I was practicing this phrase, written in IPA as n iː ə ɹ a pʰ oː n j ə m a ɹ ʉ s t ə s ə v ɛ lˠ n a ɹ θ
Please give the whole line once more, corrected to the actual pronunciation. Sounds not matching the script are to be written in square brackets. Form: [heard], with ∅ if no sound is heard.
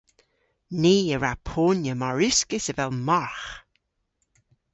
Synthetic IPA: n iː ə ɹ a pʰ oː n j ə m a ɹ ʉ s [k] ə s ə v ɛ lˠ [m] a ɹ [x]